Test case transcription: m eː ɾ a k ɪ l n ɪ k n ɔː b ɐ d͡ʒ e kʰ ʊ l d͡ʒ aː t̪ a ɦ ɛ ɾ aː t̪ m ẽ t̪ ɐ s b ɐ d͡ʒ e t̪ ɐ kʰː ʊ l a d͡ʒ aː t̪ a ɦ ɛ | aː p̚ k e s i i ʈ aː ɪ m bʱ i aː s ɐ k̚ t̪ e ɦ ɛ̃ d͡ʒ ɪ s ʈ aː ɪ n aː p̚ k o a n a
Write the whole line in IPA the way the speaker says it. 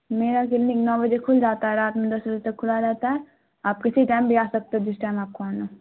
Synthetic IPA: m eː ɾ a k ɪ l n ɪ k n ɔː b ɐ d͡ʒ e kʰ ʊ l d͡ʒ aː t̪ a ɦ ɛ ɾ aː t̪ m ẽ d̪ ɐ s b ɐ d͡ʒ e t̪ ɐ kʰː ʊ l a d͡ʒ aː t̪ a ɦ ɛ | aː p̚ k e s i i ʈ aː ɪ m bʱ i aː s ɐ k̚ t̪ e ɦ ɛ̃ d͡ʒ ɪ s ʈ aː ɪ m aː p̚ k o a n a